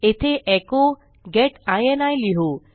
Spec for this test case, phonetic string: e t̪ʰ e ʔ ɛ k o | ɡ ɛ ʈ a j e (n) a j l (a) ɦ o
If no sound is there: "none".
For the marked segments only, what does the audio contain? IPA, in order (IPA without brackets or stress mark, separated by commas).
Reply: n, i